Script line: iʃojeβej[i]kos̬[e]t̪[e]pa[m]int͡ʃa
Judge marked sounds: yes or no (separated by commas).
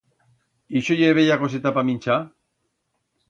no, yes, no, yes